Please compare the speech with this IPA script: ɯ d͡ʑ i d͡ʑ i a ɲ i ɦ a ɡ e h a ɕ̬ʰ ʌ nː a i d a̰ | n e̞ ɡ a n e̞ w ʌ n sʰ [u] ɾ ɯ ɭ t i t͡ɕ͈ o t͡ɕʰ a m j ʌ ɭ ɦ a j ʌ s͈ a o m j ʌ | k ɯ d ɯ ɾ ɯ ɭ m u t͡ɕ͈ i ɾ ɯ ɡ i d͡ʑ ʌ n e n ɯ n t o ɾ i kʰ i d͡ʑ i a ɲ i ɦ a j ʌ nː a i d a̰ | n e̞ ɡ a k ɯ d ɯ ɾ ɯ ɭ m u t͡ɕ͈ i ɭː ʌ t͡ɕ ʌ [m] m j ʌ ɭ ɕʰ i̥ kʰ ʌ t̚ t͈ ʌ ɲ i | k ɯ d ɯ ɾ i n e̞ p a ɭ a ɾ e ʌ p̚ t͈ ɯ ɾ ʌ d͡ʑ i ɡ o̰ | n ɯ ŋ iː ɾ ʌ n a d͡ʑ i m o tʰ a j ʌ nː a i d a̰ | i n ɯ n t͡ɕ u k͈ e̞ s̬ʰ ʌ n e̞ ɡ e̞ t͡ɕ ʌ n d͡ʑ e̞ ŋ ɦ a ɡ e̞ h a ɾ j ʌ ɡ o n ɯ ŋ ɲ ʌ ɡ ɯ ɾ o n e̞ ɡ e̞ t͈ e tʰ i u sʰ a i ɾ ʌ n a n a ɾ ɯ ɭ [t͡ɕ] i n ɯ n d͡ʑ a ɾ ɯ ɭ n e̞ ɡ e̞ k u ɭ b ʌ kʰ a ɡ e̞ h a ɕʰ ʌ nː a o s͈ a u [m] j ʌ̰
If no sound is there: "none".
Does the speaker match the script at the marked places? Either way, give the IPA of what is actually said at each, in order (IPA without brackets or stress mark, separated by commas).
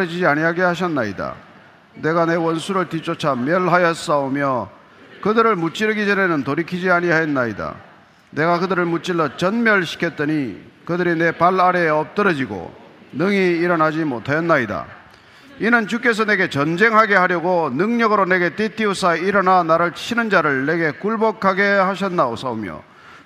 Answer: u, n, t͡ɕʰ, m